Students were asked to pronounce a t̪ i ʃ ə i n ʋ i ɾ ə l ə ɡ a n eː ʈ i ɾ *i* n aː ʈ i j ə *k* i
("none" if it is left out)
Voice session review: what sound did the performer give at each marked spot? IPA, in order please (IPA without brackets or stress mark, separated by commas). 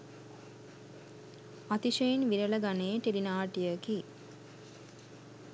i, k